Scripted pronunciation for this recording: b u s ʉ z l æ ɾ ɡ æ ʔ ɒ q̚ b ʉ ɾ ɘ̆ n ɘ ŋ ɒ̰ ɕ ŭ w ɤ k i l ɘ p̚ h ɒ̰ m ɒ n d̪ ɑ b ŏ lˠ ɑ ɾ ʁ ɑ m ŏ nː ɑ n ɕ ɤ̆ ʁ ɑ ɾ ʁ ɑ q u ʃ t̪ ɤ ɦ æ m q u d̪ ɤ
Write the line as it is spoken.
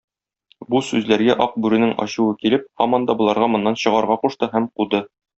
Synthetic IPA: b u s ʉ z l æ ɾ ɡ æ ʔ ɒ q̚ b ʉ ɾ ɘ̆ n ɘ ŋ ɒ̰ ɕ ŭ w ɤ k i l ɘ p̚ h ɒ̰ m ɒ n d̪ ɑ b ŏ lˠ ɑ ɾ ʁ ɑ m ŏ nː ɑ n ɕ ɤ̆ ʁ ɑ ɾ ʁ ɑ q u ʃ t̪ ɤ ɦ æ m q u d̪ ɤ